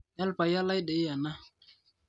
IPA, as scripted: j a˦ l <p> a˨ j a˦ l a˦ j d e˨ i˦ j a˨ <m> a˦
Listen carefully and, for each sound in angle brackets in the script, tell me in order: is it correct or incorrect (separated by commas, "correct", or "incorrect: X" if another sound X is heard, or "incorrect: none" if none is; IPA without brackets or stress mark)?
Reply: correct, incorrect: n